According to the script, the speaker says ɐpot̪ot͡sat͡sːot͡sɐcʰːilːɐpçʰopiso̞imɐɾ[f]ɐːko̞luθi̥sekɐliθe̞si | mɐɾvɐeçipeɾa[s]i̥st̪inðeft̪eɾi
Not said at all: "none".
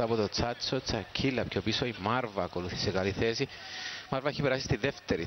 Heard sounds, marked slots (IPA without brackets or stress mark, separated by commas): v, s